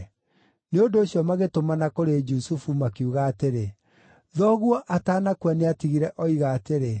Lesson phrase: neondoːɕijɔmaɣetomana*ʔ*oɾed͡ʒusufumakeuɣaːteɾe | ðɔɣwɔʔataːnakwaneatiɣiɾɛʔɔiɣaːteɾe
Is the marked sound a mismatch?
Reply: yes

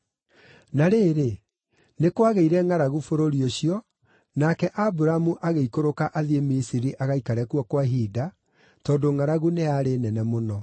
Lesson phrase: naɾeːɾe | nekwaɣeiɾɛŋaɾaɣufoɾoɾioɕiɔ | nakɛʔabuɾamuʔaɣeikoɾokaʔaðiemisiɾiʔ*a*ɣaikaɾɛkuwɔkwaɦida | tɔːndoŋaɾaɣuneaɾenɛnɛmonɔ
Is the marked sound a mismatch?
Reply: no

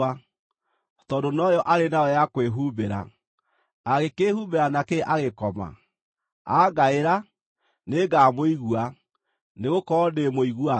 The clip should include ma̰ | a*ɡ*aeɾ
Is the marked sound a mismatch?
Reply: no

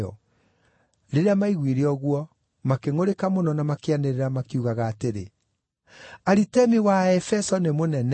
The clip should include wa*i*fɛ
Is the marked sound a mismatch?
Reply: yes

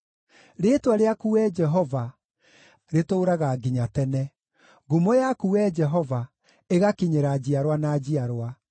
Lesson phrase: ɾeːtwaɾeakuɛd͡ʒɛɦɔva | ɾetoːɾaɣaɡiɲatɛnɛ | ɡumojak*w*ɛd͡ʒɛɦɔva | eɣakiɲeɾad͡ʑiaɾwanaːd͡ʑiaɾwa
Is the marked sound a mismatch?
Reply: yes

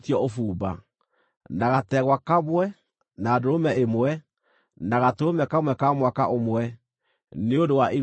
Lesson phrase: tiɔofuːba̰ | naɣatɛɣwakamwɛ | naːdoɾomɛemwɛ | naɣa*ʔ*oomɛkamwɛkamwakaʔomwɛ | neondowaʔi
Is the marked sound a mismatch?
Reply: yes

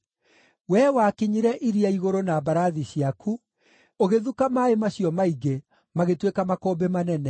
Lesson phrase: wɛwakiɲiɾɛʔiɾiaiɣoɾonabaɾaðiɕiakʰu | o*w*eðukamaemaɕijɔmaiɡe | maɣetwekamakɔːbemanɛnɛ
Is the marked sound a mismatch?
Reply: yes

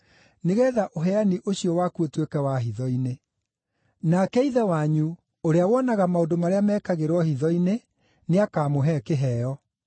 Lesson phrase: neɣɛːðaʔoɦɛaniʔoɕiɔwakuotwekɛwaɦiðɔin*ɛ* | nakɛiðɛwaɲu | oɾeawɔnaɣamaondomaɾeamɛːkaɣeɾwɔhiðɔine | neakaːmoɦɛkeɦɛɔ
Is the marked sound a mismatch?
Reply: yes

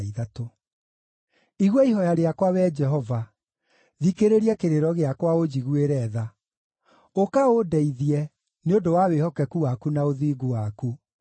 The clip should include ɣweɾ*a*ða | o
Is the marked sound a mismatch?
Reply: yes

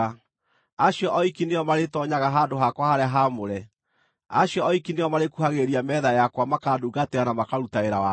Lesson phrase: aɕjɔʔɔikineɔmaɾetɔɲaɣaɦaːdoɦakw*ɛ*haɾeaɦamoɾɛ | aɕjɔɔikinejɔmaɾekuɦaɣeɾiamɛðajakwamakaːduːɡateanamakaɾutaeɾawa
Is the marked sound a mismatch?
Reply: yes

